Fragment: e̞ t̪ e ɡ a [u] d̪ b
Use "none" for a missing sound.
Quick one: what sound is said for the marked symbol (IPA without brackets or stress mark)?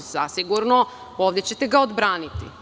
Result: o